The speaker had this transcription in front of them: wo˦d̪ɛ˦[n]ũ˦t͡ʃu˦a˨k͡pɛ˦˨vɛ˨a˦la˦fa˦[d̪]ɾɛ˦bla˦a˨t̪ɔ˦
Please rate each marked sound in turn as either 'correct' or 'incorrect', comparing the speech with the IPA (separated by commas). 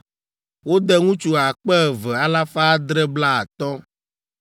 incorrect, correct